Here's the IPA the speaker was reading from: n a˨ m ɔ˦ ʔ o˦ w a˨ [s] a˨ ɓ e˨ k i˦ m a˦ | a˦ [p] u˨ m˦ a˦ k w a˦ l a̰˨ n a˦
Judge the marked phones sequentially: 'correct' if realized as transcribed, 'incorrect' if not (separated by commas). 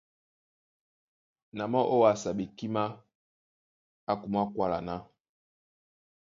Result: correct, incorrect